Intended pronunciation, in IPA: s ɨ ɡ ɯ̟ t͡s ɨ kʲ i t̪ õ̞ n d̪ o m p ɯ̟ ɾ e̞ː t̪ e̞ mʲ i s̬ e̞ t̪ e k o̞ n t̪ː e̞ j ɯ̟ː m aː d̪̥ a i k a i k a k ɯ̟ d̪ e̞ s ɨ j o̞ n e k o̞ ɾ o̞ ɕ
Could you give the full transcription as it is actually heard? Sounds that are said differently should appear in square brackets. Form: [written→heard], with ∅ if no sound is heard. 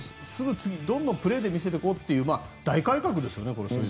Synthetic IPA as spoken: s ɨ ɡ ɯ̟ t͡s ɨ [kʲ→ɡʲ] i [t̪→d̪] õ̞ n d̪ o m p ɯ̟ ɾ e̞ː [t̪→d̪] e̞ mʲ i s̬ e̞ t̪ e k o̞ [n→∅] t̪ː e̞ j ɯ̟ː m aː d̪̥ a i k a i k a k ɯ̟ d̪ e̞ s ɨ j o̞ n e k o̞ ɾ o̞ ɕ